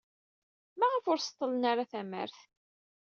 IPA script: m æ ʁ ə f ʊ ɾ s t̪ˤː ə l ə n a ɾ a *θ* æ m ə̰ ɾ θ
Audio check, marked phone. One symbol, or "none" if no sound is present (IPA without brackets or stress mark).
θ